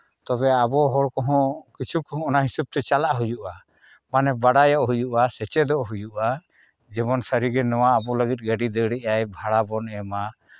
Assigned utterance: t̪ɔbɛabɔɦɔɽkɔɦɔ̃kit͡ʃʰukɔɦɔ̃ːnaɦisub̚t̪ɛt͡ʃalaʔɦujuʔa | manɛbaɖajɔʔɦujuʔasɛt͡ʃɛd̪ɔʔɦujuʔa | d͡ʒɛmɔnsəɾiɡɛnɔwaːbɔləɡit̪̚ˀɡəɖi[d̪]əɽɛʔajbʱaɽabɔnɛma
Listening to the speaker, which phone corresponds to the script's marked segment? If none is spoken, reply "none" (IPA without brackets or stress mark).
d̪